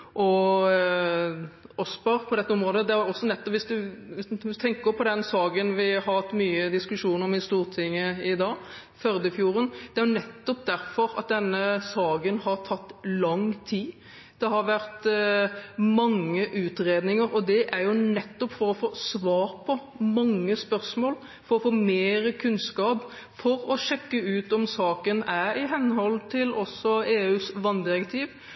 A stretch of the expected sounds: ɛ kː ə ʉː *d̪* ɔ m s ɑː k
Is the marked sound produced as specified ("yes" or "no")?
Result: no